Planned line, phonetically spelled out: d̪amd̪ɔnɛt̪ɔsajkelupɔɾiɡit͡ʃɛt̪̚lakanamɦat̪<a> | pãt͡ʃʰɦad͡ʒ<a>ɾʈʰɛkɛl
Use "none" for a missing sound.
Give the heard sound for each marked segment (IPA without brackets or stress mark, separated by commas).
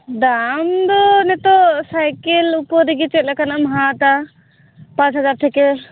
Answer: a, a